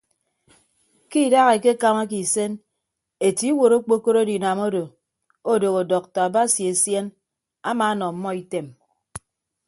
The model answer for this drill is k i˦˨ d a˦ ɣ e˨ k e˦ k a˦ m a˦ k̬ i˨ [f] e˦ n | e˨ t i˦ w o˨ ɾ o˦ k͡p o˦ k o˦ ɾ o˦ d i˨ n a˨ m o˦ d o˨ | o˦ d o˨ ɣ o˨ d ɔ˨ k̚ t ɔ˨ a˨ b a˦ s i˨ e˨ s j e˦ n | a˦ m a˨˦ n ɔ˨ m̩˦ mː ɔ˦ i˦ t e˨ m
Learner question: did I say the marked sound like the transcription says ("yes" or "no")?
no